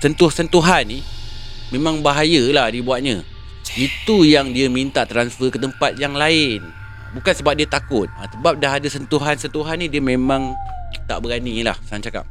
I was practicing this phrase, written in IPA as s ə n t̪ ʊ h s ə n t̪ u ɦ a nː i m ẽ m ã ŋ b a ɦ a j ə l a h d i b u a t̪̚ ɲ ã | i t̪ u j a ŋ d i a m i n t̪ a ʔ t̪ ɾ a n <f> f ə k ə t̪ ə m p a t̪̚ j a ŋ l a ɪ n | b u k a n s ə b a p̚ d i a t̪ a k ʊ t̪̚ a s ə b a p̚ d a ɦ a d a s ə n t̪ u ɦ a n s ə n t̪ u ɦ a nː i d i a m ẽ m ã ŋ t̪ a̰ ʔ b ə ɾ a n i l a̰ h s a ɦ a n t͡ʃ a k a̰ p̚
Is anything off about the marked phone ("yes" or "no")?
yes